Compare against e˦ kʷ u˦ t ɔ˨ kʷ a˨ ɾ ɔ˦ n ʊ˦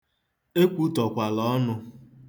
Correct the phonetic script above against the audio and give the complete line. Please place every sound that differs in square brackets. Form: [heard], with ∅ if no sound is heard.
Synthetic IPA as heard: e˦ kʷ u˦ t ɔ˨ kʷ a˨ [l] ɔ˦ n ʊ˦